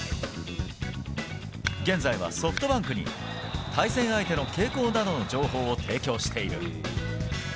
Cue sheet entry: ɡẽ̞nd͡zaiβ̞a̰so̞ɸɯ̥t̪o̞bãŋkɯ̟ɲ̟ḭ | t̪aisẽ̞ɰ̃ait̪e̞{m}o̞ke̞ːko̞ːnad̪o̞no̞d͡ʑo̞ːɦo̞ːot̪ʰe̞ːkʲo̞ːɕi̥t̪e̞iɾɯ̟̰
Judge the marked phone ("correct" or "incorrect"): incorrect